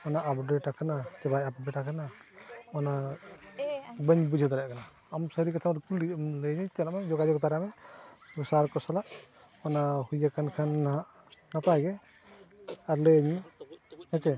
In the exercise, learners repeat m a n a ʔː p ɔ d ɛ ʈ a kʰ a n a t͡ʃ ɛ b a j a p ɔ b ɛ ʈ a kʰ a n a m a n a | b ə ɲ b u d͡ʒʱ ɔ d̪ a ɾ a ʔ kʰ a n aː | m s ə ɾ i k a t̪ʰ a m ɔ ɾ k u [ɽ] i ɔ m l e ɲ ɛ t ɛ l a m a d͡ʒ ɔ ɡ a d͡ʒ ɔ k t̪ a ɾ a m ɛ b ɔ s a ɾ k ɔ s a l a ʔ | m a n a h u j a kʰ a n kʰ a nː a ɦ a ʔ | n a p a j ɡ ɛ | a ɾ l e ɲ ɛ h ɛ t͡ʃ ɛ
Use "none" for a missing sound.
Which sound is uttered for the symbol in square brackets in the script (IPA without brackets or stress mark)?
l